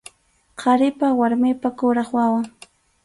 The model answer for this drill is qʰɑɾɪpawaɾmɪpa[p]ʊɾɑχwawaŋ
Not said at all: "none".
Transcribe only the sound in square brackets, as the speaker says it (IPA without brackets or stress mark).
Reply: k